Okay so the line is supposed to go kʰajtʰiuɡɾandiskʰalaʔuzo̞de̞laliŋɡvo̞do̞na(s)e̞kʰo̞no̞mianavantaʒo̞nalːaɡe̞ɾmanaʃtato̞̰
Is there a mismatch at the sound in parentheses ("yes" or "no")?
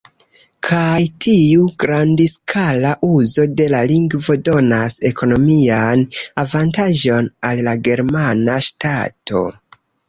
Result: no